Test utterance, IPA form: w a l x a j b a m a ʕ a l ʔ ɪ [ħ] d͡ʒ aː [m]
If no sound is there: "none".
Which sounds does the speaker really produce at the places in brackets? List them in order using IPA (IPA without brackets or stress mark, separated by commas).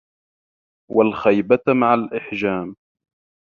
ħ, m